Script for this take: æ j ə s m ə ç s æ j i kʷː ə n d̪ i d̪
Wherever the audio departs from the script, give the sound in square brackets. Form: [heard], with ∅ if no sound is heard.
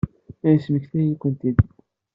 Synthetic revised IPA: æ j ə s m ə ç [θ] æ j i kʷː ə n [t̪] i d̪